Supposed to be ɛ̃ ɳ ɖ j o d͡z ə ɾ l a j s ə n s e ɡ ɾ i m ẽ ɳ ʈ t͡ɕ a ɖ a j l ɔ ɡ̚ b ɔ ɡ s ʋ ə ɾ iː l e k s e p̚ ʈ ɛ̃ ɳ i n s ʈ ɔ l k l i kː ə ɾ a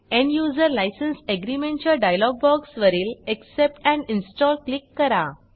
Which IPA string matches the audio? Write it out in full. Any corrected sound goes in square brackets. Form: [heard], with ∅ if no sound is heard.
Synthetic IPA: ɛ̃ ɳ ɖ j [u] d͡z ə ɾ l a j s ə n s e ɡ ɾ i m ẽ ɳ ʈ t͡ɕ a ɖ a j l ɔ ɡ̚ b ɔ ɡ s ʋ ə ɾ iː l e k s e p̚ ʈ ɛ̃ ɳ i n s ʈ ɔ l k l i kː ə ɾ a